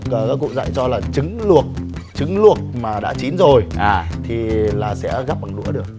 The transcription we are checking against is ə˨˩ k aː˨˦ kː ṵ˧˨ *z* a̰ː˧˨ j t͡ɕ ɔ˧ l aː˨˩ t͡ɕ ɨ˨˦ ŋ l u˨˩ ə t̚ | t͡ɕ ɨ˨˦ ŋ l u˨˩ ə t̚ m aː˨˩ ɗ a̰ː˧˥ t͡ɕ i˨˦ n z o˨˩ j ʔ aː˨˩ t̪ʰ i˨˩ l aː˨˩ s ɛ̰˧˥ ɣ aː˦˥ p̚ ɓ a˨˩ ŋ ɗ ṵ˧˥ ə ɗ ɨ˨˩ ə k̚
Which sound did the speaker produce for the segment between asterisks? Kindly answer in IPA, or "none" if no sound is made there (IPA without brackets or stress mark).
z